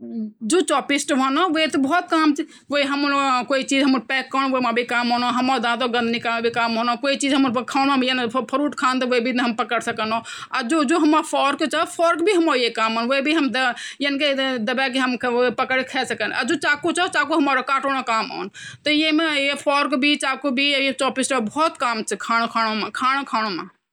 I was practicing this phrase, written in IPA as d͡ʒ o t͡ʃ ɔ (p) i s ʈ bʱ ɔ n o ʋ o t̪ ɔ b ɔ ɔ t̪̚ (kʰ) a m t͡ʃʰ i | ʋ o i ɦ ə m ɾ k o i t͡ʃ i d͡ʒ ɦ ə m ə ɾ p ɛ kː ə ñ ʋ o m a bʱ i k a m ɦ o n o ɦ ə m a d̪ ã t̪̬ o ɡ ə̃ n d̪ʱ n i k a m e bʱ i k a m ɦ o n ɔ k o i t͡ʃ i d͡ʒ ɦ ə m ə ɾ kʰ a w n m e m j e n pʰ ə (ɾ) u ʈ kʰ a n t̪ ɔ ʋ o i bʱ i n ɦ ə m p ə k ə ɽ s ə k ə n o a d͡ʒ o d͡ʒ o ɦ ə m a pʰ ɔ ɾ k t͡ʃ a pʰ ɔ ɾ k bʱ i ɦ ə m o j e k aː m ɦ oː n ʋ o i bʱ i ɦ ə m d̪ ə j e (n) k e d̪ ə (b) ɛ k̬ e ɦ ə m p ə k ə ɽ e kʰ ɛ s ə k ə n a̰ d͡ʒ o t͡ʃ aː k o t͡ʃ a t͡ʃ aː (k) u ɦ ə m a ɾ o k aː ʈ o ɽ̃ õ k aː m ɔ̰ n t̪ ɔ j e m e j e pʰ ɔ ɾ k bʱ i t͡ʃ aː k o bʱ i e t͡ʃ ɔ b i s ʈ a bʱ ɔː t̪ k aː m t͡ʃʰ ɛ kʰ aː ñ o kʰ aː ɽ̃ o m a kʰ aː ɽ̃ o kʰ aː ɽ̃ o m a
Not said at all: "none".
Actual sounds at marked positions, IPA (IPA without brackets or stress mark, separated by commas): p, k, ɾ, n, b, k